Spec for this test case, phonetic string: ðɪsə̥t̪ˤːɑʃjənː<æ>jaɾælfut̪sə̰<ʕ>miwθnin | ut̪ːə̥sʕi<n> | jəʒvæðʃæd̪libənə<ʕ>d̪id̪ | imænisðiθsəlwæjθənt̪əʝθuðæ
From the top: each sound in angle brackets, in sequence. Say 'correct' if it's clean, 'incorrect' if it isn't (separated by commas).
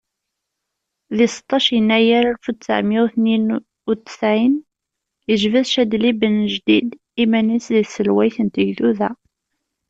correct, correct, correct, incorrect